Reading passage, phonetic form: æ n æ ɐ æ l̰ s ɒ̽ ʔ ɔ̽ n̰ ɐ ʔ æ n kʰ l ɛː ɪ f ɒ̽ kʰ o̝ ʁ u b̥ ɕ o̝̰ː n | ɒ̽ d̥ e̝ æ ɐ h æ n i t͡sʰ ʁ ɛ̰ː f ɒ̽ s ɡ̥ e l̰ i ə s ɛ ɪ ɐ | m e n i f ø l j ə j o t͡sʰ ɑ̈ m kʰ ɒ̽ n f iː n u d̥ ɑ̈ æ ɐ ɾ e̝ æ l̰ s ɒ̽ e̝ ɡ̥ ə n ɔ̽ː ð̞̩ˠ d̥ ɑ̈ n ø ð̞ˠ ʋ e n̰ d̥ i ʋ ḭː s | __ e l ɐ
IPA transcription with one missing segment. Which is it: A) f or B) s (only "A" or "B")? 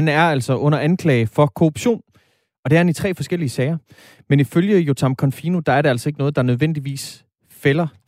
A